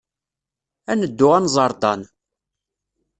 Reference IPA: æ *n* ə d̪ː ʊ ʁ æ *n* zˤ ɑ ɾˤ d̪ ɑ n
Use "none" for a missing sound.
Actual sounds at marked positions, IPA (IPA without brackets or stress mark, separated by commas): n, n